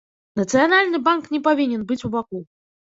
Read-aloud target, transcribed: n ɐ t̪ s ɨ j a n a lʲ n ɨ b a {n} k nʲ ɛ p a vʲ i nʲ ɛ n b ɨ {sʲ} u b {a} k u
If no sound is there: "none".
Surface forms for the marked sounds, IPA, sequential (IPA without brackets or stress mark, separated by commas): n, t͡sʲ, a